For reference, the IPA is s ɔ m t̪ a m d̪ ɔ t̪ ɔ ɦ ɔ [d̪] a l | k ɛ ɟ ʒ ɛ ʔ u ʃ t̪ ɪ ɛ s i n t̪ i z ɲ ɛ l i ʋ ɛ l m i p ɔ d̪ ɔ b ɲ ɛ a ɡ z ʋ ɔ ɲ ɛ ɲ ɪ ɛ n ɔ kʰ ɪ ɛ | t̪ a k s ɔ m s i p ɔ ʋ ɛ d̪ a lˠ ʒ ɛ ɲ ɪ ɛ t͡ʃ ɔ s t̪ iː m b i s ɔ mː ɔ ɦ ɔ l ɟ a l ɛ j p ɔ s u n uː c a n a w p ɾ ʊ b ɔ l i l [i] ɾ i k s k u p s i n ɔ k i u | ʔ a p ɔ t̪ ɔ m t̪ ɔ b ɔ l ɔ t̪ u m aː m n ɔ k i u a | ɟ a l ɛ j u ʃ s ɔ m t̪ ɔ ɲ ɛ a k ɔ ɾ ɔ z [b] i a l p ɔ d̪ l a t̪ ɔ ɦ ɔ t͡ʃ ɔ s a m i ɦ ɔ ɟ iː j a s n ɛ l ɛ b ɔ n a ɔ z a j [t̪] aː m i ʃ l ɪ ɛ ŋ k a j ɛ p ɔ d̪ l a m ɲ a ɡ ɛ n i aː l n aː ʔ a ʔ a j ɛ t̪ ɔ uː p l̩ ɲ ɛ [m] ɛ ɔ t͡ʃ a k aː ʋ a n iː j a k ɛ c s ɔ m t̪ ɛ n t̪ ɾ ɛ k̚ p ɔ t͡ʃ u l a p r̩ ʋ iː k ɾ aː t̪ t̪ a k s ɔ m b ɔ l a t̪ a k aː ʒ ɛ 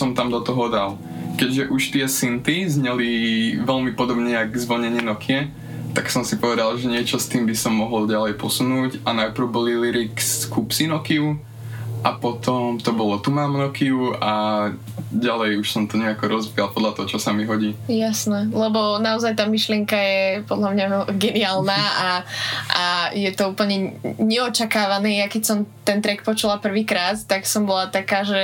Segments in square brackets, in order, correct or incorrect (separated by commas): correct, correct, correct, correct, incorrect